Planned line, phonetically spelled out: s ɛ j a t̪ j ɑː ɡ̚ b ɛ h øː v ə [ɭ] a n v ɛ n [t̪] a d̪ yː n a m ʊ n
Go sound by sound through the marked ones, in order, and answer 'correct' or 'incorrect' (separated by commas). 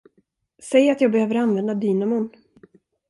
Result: incorrect, incorrect